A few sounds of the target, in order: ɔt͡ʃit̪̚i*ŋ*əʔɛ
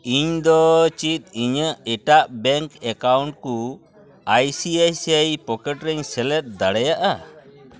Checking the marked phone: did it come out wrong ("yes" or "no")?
yes